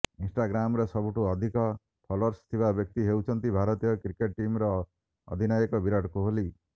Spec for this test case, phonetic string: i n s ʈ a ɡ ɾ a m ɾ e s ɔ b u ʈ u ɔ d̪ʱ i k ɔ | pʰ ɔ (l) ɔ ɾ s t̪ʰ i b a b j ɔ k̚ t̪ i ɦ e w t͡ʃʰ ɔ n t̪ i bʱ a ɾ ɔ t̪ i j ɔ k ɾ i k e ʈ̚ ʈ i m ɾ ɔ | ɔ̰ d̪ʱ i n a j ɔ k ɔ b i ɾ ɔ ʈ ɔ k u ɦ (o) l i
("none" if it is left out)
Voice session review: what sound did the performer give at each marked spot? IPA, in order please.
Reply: l, o

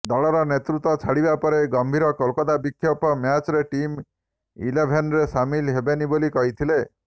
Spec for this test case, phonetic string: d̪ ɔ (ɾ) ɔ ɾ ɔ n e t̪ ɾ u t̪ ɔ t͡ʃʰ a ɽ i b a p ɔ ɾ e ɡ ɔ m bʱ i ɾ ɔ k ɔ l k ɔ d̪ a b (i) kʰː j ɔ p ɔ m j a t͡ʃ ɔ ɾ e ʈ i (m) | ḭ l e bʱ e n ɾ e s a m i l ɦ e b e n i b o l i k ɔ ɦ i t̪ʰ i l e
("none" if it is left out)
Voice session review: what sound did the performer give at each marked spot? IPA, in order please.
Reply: ɭ, i, m

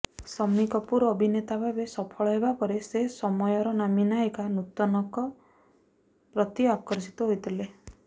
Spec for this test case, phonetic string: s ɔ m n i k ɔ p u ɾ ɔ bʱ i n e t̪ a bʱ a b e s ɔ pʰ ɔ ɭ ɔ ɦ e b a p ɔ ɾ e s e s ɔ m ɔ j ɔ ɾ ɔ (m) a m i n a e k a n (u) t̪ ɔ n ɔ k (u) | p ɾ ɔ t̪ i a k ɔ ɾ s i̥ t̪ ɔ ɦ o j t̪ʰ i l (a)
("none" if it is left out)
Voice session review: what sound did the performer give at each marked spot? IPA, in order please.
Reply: n, u, ɔ, e

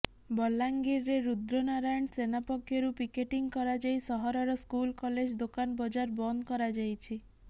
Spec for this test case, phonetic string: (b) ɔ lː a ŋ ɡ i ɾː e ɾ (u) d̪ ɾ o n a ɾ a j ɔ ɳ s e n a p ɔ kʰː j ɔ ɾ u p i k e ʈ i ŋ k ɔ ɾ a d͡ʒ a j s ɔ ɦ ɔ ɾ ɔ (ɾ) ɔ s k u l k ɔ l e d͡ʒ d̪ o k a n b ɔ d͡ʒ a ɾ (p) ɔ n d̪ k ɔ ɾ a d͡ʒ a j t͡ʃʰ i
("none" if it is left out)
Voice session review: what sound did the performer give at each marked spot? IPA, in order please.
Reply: b, u, ɾ, b

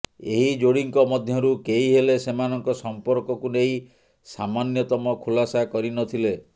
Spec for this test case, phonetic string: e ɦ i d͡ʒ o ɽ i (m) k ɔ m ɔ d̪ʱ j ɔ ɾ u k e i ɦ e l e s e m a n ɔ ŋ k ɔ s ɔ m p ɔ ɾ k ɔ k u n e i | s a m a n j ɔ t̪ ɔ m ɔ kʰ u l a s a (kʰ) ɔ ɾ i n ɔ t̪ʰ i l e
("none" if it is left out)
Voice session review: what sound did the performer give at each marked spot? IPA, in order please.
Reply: ŋ, k

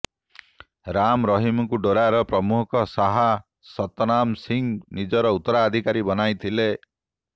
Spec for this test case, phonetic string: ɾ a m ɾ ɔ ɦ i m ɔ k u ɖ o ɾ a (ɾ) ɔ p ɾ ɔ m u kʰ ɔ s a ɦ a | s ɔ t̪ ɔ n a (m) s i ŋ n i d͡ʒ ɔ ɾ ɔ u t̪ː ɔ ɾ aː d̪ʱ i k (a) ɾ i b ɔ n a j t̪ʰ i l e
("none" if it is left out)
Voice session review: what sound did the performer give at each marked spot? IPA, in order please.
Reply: ɾ, m, a

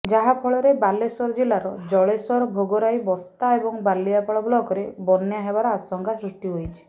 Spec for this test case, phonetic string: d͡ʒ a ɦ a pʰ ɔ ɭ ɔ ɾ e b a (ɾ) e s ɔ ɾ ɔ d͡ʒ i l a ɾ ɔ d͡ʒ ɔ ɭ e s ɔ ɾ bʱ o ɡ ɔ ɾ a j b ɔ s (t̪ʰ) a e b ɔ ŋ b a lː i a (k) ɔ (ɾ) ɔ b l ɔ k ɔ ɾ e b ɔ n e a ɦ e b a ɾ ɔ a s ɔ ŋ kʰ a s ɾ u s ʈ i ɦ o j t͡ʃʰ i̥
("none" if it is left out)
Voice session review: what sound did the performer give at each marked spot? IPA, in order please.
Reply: l, t̪, p, ɭ

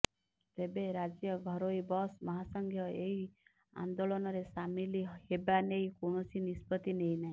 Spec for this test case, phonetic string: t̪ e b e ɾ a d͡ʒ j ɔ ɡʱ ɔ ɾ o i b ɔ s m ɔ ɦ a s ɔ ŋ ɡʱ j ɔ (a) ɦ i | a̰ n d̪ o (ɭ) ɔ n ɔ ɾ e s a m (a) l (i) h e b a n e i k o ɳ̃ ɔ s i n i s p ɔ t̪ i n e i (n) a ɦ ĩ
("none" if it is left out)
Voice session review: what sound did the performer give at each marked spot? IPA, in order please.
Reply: e, l, i, i, n

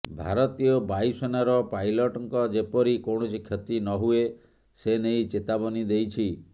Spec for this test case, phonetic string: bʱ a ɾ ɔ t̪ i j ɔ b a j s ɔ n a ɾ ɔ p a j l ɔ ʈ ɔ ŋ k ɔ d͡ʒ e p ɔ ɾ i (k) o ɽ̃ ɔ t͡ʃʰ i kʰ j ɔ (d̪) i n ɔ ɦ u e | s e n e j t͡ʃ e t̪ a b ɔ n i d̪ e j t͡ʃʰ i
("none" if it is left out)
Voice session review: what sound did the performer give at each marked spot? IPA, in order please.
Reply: k, t̪

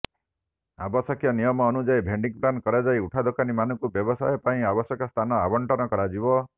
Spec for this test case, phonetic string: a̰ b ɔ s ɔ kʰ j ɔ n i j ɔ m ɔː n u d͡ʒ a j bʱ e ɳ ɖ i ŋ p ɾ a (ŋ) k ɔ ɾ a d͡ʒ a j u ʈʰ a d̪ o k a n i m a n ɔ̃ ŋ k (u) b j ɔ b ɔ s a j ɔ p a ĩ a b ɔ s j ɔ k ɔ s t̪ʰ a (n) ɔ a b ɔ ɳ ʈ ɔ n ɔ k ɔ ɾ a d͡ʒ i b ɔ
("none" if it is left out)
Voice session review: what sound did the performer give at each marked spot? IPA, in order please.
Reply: n, u, n

